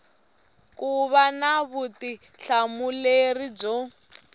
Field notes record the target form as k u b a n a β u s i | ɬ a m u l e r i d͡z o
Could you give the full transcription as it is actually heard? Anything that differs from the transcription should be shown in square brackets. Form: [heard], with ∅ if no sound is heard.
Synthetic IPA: k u [β] a n a β u [t] i | ɬ a m u l e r i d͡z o